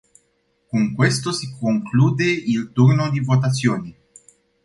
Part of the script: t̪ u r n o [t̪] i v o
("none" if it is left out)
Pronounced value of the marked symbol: d̪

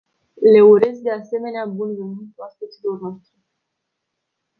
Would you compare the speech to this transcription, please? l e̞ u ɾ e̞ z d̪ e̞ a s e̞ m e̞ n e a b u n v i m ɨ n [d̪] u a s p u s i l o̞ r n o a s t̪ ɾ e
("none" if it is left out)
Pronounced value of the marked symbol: t̪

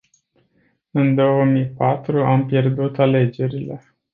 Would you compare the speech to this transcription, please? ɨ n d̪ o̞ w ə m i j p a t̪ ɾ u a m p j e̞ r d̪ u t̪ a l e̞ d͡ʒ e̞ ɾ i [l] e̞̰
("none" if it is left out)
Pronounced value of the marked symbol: l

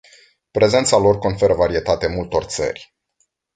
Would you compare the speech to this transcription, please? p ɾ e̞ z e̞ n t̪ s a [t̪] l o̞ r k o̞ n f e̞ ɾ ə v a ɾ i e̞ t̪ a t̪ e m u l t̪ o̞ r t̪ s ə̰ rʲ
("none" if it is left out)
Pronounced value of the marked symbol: none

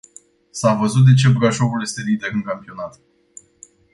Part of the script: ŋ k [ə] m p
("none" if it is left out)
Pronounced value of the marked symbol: a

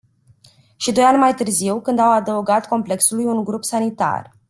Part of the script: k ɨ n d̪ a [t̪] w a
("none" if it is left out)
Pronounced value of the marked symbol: none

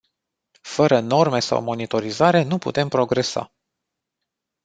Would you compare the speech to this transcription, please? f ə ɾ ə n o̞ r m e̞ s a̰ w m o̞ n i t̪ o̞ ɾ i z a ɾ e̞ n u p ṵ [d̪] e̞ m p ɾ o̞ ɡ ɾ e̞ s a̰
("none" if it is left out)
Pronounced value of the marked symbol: t̪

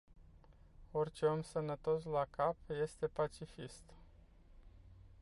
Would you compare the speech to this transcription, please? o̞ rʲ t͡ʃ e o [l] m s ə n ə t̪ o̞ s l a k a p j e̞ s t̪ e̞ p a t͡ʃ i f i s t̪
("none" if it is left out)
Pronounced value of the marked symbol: none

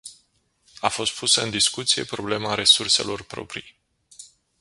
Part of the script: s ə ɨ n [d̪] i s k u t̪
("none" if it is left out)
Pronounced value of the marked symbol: d̪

